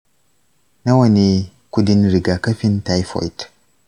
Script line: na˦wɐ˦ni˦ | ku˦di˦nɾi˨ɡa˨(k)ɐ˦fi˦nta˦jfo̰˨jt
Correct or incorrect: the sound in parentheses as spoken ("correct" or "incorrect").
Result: correct